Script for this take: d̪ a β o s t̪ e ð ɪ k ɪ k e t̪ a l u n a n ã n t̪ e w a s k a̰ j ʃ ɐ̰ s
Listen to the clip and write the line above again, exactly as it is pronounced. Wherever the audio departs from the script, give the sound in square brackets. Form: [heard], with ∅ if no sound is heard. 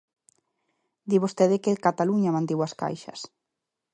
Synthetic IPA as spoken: d̪ [i] β o s t̪ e ð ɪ k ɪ k [a] t̪ a l u [ɲ] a [m] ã n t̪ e w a s k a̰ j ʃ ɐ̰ s